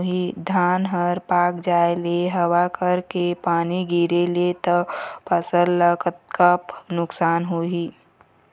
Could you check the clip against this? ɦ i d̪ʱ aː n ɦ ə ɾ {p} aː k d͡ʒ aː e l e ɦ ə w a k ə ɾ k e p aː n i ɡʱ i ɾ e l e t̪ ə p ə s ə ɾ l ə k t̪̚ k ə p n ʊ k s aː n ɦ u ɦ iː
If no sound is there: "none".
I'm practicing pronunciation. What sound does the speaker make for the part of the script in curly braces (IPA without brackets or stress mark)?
p